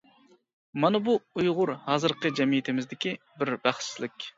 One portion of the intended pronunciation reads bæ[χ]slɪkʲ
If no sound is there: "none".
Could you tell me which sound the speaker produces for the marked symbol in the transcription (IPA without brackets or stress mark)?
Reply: χ